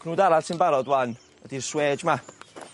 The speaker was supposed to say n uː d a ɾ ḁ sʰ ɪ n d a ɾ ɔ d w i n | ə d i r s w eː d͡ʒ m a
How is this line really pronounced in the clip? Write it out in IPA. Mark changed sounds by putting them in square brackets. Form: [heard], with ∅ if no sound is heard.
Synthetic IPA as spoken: n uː d a ɾ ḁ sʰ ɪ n [b] a ɾ ɔ d w [a] n | ə d i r s w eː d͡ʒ m a